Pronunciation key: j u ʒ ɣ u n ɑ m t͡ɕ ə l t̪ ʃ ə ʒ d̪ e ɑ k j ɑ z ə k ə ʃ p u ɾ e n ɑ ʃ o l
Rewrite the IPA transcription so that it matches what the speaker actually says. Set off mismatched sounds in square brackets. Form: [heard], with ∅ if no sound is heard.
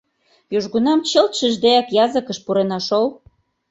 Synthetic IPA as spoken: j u ʒ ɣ u n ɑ m t͡ɕ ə l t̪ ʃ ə ʒ d̪ e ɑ k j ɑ z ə k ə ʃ p u ɾ e n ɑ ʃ o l